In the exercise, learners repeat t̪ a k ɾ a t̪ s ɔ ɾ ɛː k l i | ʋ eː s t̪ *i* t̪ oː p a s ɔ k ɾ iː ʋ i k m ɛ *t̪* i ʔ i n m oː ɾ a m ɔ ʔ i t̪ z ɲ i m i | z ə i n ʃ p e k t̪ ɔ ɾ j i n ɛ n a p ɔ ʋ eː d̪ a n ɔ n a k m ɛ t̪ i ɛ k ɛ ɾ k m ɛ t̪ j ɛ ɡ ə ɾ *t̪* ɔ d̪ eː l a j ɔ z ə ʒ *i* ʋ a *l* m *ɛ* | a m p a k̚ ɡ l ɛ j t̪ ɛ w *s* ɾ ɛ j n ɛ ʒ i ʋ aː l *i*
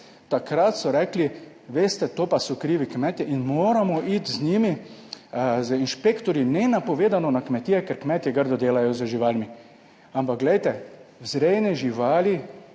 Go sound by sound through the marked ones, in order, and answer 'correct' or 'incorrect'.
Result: incorrect: ɛ, correct, incorrect: d̪, correct, correct, incorrect: i, incorrect: z, correct

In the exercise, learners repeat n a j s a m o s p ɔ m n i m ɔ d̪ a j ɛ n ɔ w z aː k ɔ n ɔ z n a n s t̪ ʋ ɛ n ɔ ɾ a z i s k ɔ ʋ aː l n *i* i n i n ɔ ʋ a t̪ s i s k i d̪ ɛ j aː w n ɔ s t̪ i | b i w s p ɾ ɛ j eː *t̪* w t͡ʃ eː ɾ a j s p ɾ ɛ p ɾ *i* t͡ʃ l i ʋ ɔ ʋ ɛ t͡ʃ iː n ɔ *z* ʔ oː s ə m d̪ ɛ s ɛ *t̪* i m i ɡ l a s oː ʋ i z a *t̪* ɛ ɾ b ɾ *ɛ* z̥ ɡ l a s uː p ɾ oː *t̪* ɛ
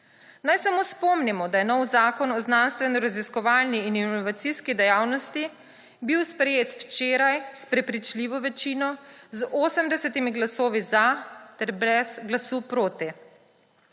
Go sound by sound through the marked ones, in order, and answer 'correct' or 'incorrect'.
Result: correct, correct, correct, correct, correct, correct, correct, correct

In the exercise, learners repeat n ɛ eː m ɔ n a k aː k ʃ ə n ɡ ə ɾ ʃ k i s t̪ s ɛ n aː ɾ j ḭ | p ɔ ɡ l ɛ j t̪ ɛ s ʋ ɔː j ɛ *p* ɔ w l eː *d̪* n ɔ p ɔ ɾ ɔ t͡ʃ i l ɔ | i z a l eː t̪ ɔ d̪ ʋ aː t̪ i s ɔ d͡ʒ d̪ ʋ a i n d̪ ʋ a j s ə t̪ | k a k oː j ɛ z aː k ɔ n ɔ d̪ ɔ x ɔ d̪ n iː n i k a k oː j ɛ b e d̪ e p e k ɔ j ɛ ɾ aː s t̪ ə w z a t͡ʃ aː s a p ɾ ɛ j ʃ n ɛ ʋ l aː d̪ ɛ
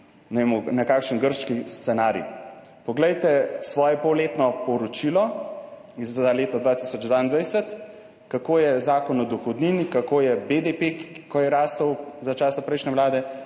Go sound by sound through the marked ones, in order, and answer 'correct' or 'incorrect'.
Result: correct, incorrect: t̪

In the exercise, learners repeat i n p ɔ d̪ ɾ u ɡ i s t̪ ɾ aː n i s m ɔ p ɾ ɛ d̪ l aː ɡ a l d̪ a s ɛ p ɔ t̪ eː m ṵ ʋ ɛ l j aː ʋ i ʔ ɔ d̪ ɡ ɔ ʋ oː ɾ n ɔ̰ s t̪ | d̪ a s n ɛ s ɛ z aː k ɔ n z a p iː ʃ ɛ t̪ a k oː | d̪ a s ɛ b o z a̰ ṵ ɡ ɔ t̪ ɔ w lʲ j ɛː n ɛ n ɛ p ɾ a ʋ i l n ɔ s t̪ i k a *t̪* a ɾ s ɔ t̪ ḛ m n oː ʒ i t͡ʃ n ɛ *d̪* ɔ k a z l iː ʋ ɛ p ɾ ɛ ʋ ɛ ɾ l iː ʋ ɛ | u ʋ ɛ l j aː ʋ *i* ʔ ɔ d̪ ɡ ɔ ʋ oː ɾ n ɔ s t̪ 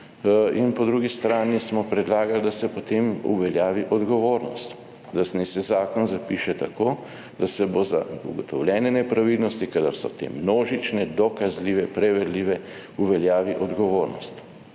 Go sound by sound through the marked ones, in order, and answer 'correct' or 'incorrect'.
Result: incorrect: d̪, correct, correct

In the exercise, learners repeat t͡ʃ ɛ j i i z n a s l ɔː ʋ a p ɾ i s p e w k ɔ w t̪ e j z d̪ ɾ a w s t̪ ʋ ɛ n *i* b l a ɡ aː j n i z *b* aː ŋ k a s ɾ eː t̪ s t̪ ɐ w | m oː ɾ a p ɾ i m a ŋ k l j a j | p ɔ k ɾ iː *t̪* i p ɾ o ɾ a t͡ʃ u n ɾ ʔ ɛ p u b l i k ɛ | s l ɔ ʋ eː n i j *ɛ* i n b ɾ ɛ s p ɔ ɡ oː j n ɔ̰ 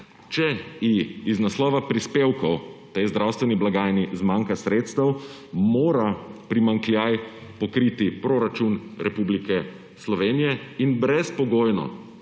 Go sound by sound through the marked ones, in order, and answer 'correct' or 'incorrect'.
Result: correct, incorrect: m, correct, correct

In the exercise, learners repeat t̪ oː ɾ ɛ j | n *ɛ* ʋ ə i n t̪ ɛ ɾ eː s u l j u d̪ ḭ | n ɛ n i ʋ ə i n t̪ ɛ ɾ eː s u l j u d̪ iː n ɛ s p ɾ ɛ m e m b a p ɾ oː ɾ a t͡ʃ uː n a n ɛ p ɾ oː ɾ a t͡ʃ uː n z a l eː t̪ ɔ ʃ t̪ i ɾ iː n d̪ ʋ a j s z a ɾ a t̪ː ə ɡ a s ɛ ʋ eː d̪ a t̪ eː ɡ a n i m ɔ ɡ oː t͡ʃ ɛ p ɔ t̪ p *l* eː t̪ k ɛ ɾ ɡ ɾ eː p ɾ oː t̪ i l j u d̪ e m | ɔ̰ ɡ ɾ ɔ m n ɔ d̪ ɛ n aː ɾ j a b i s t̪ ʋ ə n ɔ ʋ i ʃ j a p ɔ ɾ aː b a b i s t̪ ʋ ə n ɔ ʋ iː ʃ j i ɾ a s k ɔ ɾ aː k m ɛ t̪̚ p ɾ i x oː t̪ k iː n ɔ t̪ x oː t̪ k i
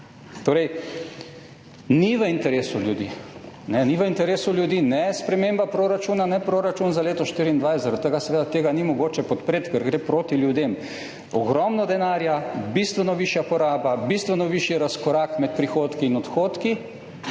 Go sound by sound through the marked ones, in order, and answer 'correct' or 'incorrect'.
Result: incorrect: i, incorrect: ɾ

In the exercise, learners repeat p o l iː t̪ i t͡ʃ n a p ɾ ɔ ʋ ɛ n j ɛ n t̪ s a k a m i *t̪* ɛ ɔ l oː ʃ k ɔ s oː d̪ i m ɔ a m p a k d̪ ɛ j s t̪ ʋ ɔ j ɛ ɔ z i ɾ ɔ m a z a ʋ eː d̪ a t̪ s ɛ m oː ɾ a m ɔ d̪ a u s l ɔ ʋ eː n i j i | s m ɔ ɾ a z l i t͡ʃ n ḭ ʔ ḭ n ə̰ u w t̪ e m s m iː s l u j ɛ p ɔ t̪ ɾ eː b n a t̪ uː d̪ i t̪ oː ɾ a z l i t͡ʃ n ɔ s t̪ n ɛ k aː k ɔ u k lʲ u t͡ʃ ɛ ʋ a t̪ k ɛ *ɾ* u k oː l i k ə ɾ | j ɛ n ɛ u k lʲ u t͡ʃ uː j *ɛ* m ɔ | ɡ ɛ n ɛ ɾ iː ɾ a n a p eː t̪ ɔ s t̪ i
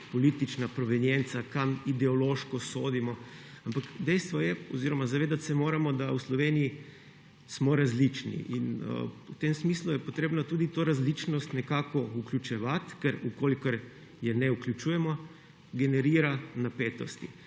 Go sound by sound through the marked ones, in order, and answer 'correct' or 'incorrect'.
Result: incorrect: d̪, correct, correct

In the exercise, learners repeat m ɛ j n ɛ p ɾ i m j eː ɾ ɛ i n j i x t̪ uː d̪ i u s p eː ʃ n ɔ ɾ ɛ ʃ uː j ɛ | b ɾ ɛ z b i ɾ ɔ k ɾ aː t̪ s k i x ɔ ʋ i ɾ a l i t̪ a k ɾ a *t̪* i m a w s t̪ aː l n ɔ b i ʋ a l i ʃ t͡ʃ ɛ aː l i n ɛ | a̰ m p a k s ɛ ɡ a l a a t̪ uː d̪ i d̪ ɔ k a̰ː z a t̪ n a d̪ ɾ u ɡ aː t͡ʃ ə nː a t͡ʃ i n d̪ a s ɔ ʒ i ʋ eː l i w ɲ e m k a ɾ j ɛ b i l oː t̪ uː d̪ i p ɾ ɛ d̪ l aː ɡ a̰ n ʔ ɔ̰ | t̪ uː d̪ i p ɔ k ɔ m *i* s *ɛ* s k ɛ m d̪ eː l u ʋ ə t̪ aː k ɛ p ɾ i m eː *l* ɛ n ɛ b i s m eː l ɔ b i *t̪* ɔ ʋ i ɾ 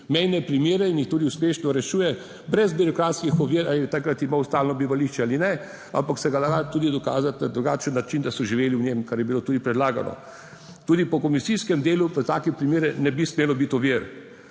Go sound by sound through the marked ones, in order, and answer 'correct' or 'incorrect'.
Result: correct, correct, incorrect: i, incorrect: ɾ, correct

